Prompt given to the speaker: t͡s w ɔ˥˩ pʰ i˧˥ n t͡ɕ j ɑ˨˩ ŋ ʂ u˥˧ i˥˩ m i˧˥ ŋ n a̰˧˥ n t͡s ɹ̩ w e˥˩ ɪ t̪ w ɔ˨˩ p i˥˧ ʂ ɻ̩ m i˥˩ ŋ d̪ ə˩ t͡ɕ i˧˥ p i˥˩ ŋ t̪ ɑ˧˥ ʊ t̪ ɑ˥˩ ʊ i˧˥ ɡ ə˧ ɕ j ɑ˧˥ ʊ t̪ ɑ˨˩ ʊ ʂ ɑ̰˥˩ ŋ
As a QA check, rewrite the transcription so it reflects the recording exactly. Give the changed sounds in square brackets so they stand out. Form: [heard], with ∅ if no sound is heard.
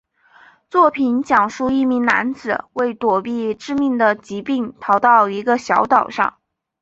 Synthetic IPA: t͡s w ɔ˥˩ pʰ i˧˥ n t͡ɕ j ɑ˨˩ ŋ ʂ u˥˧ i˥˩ m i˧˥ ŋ n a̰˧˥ n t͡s ɹ̩ w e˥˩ ɪ t̪ w ɔ˨˩ p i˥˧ [ʈ͡ʂ] ɻ̩ m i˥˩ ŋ d̪ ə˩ t͡ɕ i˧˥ p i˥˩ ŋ [t̪ʰ] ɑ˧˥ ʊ t̪ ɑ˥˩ ʊ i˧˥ ɡ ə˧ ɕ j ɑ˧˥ ʊ t̪ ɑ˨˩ ʊ ʂ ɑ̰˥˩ ŋ